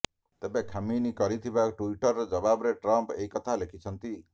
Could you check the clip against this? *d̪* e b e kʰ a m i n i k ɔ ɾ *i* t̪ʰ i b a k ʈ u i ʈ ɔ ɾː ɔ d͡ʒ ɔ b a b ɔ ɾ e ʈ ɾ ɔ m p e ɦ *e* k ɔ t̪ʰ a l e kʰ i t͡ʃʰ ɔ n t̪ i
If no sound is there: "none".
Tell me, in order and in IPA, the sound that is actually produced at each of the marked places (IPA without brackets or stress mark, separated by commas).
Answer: t̪, i, i